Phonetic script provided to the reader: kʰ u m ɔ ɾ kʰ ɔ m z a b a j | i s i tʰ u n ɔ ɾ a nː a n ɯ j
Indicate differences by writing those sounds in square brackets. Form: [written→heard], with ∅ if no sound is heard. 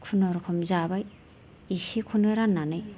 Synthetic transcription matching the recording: kʰ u [m→n] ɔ ɾ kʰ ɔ m z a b a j | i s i [tʰ→kʰ] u n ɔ ɾ a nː a n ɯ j